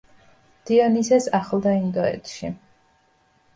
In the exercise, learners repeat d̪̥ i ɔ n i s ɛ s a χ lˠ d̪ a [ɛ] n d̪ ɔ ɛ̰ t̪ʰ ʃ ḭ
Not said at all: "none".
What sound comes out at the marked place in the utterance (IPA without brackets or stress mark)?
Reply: i